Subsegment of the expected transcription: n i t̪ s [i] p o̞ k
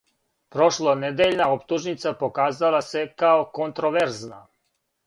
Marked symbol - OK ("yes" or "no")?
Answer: no